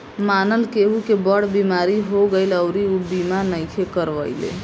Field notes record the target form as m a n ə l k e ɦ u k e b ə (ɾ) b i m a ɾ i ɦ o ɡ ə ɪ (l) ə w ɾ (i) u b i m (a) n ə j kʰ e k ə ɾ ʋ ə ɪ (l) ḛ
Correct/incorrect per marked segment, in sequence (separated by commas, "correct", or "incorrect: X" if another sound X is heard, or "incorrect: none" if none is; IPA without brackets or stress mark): incorrect: ɽ, correct, correct, correct, correct